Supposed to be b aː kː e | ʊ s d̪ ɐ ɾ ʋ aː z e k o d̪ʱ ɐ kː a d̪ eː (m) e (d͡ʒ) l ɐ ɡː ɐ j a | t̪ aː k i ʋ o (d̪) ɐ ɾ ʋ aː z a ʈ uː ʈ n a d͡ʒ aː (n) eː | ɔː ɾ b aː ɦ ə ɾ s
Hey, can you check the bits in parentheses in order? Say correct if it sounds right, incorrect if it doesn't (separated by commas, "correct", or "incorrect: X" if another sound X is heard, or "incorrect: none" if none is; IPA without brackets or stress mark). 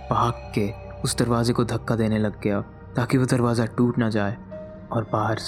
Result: incorrect: n, incorrect: none, correct, incorrect: none